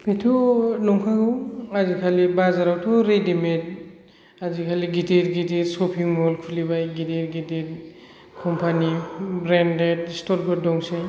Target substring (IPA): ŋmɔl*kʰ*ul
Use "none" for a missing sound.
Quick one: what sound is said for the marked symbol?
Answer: kʰ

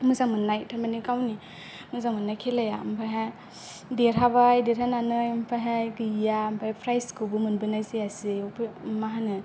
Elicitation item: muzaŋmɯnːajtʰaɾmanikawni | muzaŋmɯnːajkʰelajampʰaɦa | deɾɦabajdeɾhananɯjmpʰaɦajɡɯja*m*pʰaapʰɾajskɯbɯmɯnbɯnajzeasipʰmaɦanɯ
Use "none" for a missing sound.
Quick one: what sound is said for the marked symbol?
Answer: m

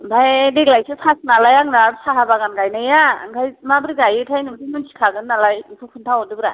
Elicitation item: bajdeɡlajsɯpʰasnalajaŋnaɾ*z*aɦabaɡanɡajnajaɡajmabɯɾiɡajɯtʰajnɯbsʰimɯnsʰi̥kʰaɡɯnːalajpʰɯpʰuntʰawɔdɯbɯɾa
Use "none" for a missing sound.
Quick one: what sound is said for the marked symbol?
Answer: s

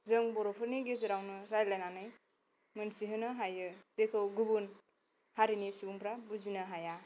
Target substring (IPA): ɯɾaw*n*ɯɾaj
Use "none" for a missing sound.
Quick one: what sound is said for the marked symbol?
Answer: n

